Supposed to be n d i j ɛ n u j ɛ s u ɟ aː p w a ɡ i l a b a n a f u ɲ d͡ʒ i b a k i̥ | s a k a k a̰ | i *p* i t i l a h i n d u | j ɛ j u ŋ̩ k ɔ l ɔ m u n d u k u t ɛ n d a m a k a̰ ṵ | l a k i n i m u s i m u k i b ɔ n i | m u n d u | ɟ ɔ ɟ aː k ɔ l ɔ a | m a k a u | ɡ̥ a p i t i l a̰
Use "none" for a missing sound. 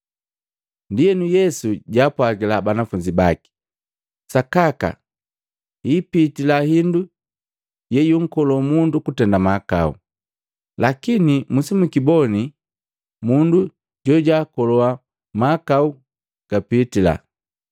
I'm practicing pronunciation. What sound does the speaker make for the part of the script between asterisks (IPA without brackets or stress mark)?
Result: p